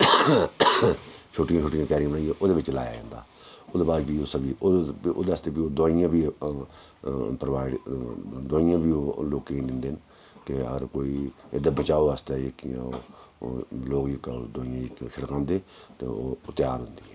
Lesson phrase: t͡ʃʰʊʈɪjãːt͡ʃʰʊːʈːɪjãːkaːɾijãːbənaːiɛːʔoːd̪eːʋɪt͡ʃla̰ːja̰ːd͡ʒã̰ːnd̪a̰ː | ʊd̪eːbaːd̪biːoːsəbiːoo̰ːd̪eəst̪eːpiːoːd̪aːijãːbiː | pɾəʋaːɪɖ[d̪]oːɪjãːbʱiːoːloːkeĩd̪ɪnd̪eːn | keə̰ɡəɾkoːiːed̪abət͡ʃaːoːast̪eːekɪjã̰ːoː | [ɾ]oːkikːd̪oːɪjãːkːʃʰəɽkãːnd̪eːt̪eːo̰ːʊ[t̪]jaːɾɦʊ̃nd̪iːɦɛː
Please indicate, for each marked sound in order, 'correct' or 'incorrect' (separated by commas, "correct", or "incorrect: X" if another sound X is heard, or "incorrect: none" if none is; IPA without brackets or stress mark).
correct, incorrect: l, correct